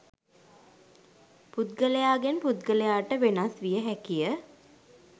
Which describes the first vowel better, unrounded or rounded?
rounded